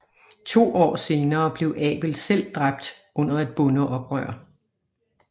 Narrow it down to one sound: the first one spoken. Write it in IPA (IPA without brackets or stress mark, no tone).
t͡sʰ